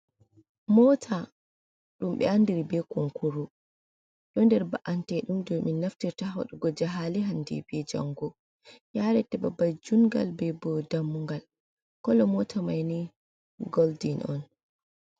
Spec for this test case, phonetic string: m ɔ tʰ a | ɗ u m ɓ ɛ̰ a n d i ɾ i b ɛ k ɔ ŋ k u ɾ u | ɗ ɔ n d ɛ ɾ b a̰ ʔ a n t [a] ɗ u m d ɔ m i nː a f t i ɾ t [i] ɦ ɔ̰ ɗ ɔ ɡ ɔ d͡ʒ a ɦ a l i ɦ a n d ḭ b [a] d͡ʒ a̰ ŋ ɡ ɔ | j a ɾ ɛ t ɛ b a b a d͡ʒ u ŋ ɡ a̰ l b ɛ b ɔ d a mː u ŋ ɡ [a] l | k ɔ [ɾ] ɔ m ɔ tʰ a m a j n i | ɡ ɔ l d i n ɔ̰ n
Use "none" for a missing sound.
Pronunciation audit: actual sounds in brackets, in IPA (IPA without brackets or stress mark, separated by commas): ɛ, a, ɛ, a, l